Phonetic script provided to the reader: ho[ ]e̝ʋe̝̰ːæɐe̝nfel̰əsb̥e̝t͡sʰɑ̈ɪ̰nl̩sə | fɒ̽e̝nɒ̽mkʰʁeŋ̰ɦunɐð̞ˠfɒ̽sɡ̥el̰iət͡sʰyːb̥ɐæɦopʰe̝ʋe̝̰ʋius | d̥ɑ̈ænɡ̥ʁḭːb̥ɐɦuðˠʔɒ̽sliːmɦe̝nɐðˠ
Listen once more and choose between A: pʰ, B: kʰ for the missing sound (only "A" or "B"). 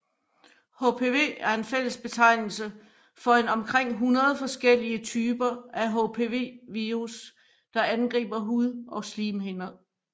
A